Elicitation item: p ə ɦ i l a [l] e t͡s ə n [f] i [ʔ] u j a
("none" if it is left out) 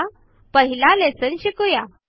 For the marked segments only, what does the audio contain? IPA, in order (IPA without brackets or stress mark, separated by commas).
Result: l, ɕ, k